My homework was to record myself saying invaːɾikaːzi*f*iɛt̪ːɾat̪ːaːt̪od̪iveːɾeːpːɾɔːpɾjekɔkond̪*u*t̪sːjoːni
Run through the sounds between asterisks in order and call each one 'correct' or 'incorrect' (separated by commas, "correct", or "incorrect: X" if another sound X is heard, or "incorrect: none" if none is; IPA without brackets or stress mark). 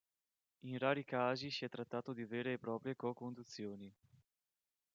incorrect: s, correct